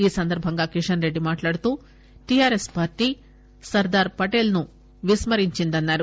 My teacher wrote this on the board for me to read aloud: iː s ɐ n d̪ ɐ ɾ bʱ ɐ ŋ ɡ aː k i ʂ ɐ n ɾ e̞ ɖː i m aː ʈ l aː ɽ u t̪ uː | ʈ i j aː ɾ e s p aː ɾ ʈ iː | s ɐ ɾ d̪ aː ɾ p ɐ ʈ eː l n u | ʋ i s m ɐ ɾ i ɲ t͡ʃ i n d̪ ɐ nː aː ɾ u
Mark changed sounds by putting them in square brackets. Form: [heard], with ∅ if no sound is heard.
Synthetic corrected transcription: iː s ɐ n d̪ ɐ ɾ bʱ ɐ ŋ ɡ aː k i ʂ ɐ n ɾ e̞ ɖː i m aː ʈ l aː ɽ u t̪ uː | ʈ i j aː ɾ e s p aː ɾ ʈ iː | s ɐ ɾ d̪ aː ɾ p ɐ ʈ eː l n u | ʋ i s m ɐ ɾ i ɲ t͡ʃ i n d̪ ɐ nː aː ɾ u